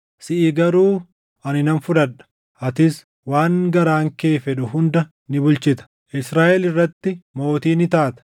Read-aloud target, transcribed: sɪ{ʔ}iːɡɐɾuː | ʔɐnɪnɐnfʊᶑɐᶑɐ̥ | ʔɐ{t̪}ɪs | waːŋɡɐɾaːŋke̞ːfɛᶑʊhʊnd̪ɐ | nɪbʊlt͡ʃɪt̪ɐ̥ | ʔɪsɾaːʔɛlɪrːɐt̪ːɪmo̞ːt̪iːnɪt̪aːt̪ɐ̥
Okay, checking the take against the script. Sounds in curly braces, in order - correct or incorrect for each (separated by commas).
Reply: correct, correct